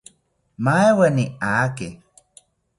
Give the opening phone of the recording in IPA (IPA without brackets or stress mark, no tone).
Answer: m